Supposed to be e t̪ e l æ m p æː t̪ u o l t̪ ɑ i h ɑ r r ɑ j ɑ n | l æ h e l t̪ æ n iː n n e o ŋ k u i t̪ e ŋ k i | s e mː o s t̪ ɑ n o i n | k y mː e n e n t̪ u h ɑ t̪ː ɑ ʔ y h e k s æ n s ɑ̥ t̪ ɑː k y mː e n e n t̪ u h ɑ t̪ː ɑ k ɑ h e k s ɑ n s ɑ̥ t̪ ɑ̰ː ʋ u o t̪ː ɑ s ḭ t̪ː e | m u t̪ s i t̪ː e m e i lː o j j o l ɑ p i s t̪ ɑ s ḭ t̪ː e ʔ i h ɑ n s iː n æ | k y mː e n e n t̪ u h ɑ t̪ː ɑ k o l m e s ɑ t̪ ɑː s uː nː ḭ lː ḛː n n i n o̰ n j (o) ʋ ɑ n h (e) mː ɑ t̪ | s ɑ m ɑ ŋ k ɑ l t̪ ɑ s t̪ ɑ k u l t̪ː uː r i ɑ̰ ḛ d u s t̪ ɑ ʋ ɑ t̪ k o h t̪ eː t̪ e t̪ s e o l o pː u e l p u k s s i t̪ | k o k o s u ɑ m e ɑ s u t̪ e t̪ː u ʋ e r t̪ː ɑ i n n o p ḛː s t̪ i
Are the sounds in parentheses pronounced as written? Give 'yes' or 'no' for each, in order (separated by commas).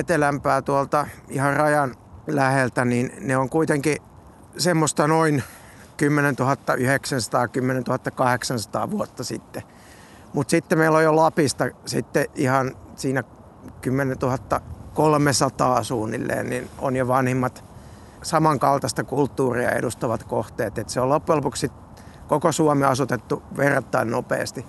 yes, no